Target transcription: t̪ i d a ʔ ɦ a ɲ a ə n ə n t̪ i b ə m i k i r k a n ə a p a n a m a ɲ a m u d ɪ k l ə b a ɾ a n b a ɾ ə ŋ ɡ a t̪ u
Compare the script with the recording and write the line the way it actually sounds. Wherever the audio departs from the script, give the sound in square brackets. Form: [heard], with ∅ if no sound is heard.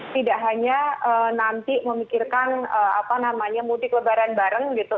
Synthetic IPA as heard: t̪ i d a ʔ ɦ a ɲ a ə n [a] n t̪ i [m] ə m i k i r k a n ə a p a n a m a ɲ a m u d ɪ k l ə b a ɾ a n b a ɾ ə ŋ ɡ [i] t̪ u